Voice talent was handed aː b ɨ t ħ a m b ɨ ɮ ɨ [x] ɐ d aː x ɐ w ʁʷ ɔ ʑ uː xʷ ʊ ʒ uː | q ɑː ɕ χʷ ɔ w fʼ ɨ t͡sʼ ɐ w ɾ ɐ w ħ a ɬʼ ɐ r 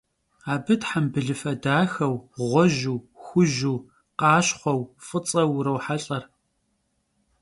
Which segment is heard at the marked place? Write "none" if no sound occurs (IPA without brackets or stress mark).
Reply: f